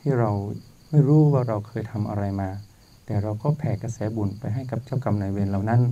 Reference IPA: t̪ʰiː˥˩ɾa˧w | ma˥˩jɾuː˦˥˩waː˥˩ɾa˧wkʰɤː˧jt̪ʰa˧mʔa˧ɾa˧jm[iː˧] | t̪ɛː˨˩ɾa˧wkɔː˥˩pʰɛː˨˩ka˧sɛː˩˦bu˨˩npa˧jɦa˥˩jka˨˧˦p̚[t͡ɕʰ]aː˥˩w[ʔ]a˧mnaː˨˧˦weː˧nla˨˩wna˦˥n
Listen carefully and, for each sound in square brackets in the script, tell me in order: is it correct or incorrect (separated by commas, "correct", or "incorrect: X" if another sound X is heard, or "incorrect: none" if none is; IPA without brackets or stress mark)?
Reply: incorrect: aː˧, incorrect: t͡ɕ, incorrect: k